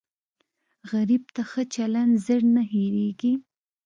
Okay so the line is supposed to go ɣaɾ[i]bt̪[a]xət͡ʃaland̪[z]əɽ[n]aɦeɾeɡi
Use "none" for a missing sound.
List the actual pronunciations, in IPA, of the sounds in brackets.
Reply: i, a, z, n

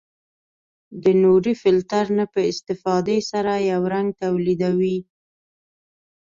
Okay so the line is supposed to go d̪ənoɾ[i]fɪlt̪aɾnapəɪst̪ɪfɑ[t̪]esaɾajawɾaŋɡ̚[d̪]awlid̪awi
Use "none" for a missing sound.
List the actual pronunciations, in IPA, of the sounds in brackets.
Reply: i, d̪, t̪

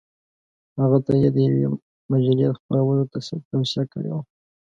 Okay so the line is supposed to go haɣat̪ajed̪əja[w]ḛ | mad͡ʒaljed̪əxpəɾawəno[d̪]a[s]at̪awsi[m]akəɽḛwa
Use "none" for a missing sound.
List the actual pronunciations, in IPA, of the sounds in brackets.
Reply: w, t̪, s, none

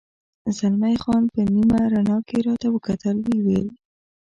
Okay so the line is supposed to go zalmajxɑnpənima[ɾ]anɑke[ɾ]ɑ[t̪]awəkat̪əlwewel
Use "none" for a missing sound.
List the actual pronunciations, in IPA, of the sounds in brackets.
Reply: ɾ, ɾ, t̪

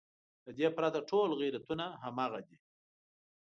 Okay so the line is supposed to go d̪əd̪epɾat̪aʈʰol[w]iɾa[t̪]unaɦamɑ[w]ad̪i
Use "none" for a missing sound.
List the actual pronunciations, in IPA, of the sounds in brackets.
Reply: ɣ, t̪, ɣ

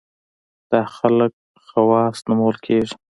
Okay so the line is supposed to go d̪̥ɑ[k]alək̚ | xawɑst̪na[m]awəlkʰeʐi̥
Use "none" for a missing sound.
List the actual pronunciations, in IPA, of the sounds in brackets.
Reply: x, m

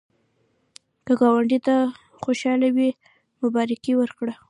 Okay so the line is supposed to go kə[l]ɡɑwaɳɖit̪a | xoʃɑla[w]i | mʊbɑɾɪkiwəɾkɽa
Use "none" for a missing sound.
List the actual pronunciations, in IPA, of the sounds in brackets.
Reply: none, w

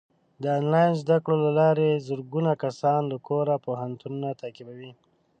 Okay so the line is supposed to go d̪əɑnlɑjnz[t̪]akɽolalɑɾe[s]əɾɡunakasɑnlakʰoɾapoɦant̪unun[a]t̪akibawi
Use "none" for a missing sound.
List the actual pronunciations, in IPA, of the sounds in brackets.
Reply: d̪, z, a

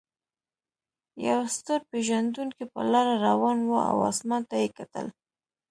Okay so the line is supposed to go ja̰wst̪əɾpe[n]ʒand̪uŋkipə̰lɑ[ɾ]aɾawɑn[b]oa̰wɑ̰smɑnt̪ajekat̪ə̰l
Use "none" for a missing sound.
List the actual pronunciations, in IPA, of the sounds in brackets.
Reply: none, ɾ, w

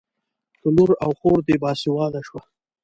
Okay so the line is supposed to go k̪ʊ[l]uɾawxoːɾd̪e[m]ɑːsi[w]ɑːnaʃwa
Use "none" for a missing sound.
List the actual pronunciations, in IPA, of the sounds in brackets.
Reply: l, b, w

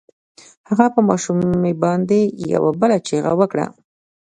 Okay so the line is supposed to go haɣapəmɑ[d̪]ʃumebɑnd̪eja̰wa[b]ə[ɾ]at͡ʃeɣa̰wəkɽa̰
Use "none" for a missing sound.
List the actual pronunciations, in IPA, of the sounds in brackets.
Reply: none, b, l

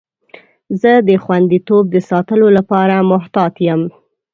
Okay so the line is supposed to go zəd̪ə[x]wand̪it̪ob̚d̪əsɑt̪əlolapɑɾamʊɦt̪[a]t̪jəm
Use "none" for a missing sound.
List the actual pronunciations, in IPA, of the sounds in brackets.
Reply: x, ɑ

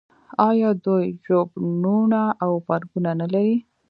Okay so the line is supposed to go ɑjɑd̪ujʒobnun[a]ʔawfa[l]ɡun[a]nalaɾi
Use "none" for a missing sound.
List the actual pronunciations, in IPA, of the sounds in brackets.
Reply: a, ɾ, a

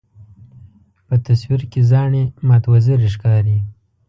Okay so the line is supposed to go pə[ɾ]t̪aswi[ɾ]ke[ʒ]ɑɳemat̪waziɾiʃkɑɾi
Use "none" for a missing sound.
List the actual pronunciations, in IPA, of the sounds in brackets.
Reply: none, ɾ, z

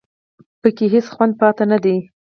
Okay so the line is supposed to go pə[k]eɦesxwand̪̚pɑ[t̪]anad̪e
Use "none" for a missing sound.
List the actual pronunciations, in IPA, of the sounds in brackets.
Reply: k, t̪

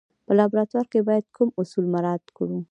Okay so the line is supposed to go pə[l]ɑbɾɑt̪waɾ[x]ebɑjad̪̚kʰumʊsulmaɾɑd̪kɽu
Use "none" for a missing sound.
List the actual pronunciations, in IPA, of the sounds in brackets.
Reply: l, k

